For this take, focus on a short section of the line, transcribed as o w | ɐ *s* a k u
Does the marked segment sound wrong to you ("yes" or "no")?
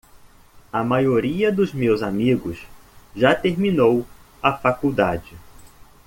yes